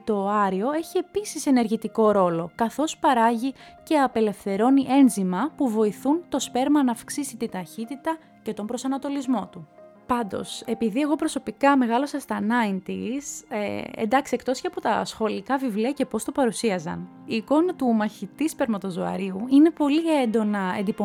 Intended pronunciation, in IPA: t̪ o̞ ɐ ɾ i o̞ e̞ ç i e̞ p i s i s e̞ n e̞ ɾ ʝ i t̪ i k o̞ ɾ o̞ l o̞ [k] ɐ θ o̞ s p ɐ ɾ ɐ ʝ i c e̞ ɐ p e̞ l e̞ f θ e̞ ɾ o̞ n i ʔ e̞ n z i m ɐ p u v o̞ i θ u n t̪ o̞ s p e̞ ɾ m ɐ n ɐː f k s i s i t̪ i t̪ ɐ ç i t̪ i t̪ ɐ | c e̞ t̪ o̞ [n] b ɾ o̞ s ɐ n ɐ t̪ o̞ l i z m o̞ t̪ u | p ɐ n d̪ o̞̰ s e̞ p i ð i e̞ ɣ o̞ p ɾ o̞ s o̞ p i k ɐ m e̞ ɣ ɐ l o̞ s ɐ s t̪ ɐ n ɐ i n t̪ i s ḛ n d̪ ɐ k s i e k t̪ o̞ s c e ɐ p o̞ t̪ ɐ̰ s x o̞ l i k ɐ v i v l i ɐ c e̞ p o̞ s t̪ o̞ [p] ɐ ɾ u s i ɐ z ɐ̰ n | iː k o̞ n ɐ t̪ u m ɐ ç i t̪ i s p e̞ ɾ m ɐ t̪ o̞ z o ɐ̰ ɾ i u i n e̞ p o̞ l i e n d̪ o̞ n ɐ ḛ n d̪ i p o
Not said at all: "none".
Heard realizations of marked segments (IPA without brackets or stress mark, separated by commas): k, m, p